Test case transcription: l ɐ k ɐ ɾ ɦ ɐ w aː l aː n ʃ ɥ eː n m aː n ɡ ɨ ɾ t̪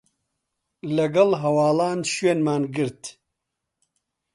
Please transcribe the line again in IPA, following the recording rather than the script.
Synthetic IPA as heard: l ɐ ɡ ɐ l ɦ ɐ w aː l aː n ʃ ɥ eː n m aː n ɡ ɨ ɾ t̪